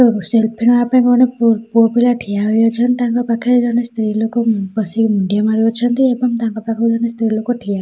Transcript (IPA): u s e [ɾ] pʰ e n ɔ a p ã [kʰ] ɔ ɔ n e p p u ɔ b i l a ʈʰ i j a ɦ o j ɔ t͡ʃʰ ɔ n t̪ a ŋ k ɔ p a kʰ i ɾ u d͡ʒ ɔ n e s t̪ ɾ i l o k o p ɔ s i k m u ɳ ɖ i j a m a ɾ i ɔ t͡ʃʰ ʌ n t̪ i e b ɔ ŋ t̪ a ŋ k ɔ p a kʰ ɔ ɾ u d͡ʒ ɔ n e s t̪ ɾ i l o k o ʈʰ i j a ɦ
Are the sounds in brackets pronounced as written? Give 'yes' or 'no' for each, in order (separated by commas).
no, no